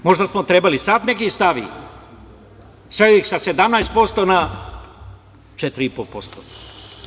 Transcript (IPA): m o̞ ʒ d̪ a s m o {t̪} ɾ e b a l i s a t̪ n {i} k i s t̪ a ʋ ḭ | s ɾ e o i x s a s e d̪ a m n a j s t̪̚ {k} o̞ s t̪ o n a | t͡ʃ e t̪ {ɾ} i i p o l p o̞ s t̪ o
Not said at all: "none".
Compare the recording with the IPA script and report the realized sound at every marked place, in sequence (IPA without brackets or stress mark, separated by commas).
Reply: t̪, e, p, ɾ